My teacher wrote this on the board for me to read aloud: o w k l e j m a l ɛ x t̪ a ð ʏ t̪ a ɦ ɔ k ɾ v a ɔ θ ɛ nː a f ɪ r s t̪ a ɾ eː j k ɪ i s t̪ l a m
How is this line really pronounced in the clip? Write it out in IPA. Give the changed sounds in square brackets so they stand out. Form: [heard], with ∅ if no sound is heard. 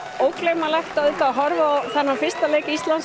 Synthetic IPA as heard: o w k l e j m a l ɛ x t̪ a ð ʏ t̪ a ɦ ɔ [∅] ɾ v a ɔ θ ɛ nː a f ɪ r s t̪ a [l] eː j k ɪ i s t̪ l a [n]

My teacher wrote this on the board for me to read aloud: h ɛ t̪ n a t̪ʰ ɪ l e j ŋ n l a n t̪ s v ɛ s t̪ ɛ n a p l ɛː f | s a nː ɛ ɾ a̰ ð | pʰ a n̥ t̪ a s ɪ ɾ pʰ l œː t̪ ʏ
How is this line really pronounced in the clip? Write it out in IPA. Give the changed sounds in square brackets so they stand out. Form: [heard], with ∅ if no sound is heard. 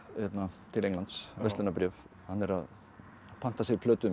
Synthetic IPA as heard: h ɛ t̪ n a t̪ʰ ɪ l e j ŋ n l a n t̪ s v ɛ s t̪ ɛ n a p [ɾ] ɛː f | [h] a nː ɛ ɾ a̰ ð | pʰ a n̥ t̪ a s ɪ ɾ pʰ l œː t̪ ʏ

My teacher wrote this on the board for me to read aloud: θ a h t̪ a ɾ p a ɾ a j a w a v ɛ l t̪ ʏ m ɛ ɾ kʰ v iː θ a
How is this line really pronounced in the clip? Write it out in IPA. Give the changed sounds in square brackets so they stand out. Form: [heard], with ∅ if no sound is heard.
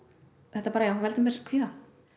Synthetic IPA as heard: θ [ɛ] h t̪ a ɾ p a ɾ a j a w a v ɛ l t̪ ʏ m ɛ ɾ kʰ v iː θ a

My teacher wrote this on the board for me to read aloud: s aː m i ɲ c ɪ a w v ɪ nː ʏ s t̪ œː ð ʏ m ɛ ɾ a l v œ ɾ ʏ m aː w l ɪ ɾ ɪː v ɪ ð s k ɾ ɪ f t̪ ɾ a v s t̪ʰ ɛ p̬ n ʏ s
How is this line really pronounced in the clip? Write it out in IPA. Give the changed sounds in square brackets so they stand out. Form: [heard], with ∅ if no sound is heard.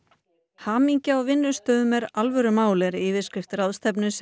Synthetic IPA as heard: [h] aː m i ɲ c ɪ a w v ɪ nː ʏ s t̪ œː ð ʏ m ɛ ɾ a l v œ ɾ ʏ m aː w l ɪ ɾ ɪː v ɪ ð s k ɾ ɪ f t̪ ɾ a [ð] s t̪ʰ ɛ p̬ n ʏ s

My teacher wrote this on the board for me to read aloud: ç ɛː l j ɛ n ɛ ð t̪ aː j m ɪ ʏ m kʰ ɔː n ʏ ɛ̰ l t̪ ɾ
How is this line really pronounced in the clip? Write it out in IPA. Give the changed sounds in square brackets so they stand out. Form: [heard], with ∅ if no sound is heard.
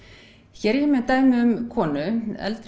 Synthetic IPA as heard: ç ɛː [ɾ] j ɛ [m] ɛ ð t̪ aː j m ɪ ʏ m kʰ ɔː n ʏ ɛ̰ l t̪ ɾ

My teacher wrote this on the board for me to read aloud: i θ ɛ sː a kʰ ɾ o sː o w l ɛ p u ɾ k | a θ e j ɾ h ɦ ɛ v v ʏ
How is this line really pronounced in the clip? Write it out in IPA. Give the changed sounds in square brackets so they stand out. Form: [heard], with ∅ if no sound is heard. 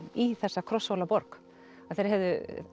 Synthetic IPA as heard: i θ ɛ sː a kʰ ɾ [ɔ] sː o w l [a] p [ɔ] ɾ k | a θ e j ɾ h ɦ ɛ v [ð] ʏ

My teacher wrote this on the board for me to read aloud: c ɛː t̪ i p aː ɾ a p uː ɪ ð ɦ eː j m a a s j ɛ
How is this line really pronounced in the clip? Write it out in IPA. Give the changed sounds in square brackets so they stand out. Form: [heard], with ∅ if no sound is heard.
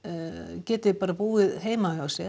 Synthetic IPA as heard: c ɛː t̪ [ɪ] p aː ɾ a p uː ɪ ð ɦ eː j m a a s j ɛ

